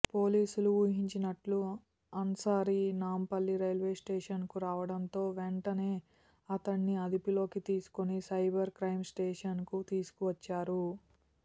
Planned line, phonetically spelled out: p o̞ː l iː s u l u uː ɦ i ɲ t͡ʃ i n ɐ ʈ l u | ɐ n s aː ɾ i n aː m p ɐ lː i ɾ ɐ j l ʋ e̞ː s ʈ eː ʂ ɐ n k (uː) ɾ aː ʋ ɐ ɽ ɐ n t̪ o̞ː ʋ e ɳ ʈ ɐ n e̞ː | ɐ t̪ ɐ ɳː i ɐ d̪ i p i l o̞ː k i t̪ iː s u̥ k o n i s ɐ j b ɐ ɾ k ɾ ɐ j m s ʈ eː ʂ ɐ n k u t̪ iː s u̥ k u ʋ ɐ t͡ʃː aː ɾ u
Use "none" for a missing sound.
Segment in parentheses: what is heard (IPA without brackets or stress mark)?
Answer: u